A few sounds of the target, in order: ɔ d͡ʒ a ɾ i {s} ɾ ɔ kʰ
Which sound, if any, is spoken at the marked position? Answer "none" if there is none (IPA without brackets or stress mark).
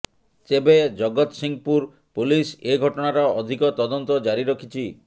none